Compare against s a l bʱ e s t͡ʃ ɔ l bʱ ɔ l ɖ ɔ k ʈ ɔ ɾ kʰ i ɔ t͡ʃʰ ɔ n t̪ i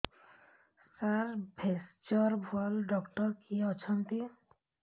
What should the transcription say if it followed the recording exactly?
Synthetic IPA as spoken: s a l bʱ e s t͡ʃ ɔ ɾ bʱ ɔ l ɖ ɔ k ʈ ɔ ɾ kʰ i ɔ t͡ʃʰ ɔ n t̪ i